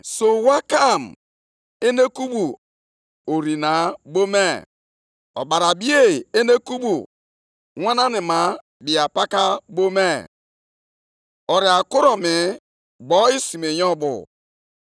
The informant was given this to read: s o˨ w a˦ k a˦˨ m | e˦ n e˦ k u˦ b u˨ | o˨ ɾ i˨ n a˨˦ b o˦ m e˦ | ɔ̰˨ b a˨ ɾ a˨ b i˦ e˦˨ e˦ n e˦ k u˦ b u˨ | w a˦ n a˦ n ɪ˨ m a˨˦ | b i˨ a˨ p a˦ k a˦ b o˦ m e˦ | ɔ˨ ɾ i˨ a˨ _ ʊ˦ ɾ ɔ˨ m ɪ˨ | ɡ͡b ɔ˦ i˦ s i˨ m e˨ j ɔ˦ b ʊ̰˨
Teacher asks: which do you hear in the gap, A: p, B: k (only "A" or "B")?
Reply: B